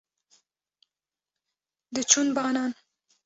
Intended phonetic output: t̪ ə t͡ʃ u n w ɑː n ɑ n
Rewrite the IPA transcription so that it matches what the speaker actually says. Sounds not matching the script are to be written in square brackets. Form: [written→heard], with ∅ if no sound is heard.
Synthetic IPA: [t̪→d̪] ə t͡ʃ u n [w→b] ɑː n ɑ n